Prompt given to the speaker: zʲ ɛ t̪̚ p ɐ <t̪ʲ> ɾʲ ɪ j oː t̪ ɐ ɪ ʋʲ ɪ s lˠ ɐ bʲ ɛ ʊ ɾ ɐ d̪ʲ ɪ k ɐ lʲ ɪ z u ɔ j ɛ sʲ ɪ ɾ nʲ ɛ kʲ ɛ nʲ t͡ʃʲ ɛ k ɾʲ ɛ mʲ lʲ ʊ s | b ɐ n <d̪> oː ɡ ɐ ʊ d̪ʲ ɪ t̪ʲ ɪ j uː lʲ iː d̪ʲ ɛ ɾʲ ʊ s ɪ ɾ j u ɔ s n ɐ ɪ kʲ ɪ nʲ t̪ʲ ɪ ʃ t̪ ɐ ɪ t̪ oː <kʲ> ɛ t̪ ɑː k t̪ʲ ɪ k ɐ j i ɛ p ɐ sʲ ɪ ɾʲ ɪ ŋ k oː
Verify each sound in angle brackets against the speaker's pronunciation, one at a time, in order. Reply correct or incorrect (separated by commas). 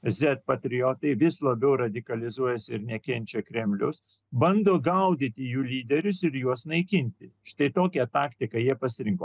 correct, correct, correct